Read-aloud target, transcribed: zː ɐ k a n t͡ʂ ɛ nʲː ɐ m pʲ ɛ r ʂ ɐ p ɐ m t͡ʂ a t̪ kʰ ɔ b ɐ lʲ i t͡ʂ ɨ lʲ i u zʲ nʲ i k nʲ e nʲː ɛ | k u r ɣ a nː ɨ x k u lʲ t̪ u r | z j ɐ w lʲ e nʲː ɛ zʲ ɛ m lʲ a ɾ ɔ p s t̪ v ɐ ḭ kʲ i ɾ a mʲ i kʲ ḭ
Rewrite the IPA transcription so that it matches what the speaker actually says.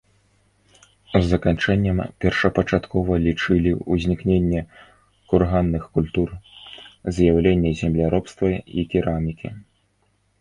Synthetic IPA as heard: zː ɐ k a n t͡ʂ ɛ nʲː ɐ m pʲ ɛ r ʂ ɐ p ɐ t͡ʂ a t̪ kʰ ɔ v ɐ lʲ i t͡ʂ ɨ lʲ i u zʲ nʲ i k nʲ e nʲː ɛ | k u r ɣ a nː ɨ x k u lʲ t̪ u r | z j a w lʲ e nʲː ɛ zʲ ɛ m lʲ a ɾ ɔ p s t̪ v ɐ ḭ kʲ i ɾ a mʲ i kʲ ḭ